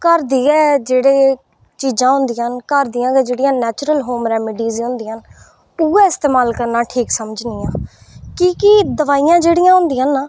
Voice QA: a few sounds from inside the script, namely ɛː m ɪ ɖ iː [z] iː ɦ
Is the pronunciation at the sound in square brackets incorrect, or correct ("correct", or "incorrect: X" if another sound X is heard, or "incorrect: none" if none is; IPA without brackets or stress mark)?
correct